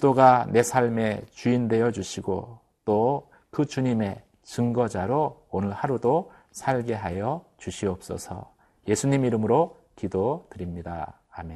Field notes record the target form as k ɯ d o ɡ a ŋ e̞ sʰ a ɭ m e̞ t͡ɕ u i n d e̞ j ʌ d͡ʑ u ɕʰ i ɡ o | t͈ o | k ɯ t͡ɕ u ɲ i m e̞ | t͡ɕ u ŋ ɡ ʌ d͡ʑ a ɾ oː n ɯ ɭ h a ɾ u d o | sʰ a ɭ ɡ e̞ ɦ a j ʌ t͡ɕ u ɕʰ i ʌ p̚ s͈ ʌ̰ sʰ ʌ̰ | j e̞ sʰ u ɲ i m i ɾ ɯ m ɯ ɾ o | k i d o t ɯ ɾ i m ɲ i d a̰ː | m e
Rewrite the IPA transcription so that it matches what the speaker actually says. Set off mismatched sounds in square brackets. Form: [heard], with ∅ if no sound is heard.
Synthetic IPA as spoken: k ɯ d o ɡ a [n] e̞ sʰ a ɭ m e̞ t͡ɕ u i n d e̞ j ʌ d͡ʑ u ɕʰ i ɡ o | t͈ o | k ɯ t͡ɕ u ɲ i m e̞ | t͡ɕ [ɯ] ŋ ɡ ʌ d͡ʑ a ɾ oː n ɯ ɭ h a ɾ u d o | sʰ a ɭ ɡ e̞ ɦ a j ʌ t͡ɕ u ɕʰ i ʌ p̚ s͈ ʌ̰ sʰ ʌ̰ | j e̞ sʰ u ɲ i m i ɾ ɯ m ɯ ɾ o | k i d o t ɯ ɾ i m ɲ i d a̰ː | m e